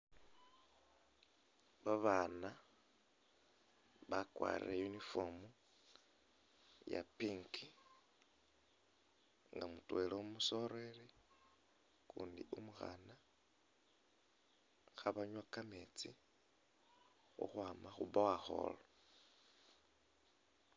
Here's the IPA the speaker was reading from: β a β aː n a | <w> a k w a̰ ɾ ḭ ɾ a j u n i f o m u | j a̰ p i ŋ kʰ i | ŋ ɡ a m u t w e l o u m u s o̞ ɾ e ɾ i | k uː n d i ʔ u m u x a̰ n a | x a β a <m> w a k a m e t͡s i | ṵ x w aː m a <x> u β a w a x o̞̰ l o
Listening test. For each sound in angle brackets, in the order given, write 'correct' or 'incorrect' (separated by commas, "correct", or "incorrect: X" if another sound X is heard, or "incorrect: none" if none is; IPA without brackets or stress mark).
incorrect: β, incorrect: ɲ, correct